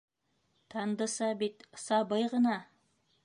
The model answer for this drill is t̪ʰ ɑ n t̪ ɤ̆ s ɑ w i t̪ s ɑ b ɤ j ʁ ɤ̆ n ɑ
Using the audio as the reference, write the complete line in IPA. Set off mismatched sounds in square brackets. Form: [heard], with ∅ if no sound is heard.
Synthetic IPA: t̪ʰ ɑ n [d̪] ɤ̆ s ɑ [b] i t̪ s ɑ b ɤ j ʁ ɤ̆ n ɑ